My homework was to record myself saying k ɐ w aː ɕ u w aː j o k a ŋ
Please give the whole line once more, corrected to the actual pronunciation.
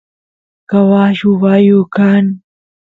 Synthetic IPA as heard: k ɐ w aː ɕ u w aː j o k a n